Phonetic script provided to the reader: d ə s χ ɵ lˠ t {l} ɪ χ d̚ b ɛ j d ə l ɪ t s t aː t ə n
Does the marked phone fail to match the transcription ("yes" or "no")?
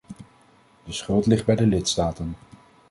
no